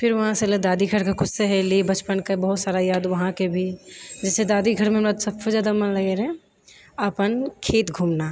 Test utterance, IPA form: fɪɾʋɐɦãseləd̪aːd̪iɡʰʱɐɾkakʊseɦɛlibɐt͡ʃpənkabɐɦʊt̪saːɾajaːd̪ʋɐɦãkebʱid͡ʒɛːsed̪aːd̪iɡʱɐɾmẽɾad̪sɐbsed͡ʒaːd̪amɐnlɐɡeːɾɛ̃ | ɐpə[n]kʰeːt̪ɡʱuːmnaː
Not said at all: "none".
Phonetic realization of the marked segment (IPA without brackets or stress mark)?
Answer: n